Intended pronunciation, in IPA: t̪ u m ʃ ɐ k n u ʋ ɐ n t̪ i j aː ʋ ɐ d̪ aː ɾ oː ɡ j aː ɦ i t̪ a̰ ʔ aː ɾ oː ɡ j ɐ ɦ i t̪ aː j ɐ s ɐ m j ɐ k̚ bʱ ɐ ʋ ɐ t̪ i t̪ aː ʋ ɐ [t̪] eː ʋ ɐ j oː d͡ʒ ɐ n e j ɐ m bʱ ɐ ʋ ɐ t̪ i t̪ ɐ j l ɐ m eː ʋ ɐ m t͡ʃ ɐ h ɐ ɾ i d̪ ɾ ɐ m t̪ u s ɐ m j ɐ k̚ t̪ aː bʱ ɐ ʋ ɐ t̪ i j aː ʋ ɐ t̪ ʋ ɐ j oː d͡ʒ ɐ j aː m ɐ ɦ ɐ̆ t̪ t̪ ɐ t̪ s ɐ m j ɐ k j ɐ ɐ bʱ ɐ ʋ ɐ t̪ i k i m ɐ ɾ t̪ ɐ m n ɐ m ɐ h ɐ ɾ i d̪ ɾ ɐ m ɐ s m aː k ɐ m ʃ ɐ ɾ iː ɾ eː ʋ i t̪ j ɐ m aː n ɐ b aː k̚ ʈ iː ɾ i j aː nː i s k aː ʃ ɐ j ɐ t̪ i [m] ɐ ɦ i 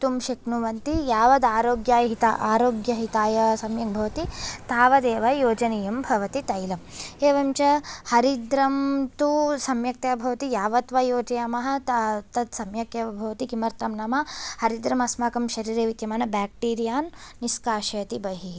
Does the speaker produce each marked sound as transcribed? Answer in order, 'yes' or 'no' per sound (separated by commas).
no, no